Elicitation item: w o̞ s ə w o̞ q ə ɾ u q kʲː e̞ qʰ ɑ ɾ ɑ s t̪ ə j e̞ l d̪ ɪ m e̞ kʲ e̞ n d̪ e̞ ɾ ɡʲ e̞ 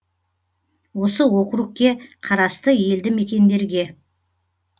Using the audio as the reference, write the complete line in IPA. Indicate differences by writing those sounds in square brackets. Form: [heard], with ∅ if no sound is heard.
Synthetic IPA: w o̞ s ə w o̞ q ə ɾ u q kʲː e̞ qʰ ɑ ɾ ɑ s t̪ ə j e̞ l d̪ ɪ m e̞ kʲ e̞ n d̪ e̞ ɾ ɡʲ e̞